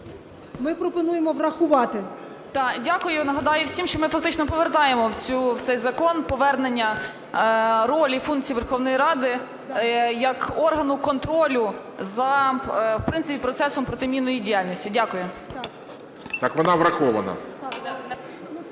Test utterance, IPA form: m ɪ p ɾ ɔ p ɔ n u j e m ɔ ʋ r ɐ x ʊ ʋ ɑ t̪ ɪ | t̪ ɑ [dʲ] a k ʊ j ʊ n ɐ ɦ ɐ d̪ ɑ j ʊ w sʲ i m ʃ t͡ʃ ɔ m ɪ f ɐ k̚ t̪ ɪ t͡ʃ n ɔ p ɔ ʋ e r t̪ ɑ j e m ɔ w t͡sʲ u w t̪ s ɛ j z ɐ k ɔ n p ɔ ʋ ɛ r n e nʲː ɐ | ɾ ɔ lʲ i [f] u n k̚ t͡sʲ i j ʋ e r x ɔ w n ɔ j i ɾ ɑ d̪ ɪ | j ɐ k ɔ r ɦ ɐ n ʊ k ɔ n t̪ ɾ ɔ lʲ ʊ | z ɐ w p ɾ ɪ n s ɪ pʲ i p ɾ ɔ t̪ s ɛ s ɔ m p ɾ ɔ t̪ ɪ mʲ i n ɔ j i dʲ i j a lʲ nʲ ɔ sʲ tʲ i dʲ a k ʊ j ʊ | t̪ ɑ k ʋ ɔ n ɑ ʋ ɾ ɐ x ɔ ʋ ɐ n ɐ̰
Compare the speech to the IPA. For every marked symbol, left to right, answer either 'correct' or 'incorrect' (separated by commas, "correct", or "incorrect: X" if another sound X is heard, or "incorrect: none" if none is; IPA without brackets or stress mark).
correct, correct